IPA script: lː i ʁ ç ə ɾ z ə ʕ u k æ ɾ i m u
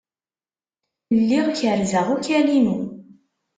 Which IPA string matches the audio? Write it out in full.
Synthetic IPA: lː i ʁ ç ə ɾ z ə ʁ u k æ l i m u

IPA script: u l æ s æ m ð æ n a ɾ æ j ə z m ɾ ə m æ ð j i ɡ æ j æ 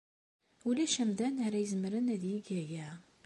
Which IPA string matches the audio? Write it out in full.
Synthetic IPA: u l æ ʃ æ m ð æ n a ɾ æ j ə z m ɾ ə n æ ð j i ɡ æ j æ

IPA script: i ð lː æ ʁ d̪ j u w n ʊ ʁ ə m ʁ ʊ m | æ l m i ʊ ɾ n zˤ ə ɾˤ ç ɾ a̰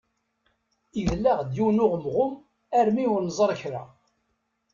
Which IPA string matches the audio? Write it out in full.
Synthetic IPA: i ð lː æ ʁ d̪ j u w n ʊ ʁ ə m ʁ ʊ m | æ ɾ m i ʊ ɾ n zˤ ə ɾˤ ç ɾ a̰

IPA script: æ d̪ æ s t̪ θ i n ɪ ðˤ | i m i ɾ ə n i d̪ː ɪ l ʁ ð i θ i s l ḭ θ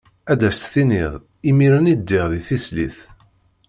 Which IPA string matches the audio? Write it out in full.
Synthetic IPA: æ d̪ æ s t̪ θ i n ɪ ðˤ | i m i ɾ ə n i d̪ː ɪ ʁ ð i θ i s l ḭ θ

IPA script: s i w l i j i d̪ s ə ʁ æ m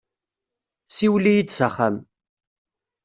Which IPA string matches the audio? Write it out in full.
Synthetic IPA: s i w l i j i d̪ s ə χ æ m

